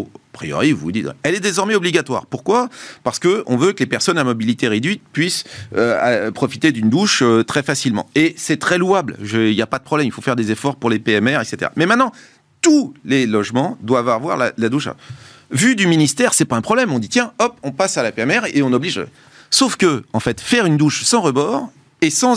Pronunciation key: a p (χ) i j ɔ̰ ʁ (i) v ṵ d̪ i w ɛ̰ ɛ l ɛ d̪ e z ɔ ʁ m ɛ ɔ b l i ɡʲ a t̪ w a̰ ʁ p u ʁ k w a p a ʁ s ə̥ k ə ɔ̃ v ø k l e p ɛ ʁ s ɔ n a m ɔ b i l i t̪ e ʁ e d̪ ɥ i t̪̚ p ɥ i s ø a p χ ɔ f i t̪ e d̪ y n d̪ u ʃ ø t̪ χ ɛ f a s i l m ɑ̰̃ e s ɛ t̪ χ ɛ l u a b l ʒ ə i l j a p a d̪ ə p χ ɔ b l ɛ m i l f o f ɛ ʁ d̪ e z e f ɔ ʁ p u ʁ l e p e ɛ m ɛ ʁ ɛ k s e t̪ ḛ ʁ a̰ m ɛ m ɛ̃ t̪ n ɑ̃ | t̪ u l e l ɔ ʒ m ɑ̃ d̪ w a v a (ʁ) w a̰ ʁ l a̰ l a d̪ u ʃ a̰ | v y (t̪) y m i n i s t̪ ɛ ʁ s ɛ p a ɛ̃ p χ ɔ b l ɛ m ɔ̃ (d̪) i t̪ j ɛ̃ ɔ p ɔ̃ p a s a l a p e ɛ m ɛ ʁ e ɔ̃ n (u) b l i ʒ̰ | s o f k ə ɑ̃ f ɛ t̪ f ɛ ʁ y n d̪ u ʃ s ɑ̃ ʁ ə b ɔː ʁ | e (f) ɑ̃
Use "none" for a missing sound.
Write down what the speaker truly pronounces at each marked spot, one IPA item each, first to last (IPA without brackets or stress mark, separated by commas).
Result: χ, i, v, d̪, d̪, ɔ, s